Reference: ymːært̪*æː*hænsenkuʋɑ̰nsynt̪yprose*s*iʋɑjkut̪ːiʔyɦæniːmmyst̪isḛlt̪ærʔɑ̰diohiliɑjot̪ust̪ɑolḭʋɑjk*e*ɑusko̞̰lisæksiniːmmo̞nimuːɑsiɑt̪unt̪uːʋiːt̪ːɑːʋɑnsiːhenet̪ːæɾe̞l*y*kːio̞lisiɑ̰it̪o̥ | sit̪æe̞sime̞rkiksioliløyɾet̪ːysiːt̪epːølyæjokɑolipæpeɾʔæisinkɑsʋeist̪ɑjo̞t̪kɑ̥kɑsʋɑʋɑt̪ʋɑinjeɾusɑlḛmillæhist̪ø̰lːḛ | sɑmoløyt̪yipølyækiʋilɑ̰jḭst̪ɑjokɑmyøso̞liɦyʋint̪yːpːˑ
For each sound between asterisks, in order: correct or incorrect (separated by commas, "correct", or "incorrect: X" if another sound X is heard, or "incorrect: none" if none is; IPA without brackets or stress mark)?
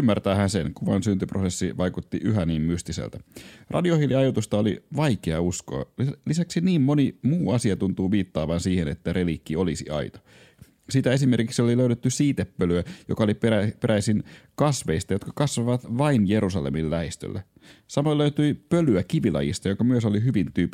correct, incorrect: sː, correct, incorrect: i